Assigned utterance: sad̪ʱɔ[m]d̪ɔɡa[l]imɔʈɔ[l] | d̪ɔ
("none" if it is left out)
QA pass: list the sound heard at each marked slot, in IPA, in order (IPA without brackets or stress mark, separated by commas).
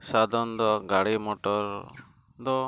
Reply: n, ɽ, ɾ